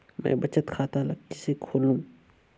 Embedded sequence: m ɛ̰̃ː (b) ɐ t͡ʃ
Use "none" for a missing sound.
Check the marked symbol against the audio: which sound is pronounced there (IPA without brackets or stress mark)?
b